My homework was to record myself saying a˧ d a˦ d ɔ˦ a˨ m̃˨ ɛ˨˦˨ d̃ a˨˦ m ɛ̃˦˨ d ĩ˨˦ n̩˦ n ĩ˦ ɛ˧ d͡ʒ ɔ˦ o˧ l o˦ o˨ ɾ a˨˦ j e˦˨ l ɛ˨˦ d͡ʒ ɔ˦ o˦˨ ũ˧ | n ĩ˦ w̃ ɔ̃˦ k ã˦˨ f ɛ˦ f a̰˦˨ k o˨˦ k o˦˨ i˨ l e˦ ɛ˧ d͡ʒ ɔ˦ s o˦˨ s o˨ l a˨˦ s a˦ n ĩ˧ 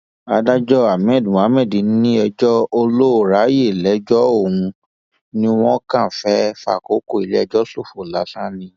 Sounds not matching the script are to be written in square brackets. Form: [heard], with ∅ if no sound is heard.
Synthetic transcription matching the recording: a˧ d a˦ [d͡ʒ] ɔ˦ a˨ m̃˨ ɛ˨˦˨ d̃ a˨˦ m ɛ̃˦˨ d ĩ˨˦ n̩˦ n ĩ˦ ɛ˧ d͡ʒ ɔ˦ o˧ l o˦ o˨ ɾ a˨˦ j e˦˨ l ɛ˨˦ d͡ʒ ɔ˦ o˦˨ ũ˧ | n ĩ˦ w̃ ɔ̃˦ k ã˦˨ f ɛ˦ f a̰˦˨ k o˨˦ k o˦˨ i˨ l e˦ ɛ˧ d͡ʒ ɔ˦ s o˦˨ [f] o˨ l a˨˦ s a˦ n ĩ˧